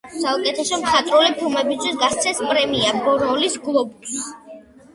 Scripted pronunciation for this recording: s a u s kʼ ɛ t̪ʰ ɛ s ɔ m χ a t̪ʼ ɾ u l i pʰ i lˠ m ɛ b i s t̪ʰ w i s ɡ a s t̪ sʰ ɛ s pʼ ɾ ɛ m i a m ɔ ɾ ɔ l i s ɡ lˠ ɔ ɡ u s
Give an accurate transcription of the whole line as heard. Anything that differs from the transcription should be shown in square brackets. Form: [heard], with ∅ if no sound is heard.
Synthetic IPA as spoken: s a u [∅] kʼ ɛ t̪ʰ ɛ s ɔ m χ a t̪ʼ ɾ u l i pʰ i lˠ m ɛ b i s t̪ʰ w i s ɡ a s t̪ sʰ ɛ s pʼ ɾ ɛ m i a [b] ɔ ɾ ɔ l i s ɡ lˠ ɔ [b] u s